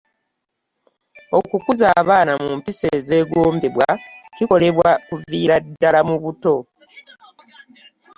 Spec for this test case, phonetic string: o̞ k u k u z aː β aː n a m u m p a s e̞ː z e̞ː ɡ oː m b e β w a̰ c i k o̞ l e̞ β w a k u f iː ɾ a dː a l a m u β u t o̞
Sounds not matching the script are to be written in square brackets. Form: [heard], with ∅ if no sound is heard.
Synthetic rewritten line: o̞ k u k u z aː β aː n a m u m p [i] s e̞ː z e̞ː ɡ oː m b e β w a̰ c i k o̞ l e̞ β w a k u [v] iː ɾ a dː a l a m u β u t o̞